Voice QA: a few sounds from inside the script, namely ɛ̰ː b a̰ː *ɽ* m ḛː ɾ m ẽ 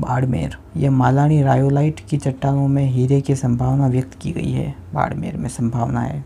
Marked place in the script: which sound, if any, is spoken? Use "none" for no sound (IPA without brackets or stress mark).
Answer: ɽ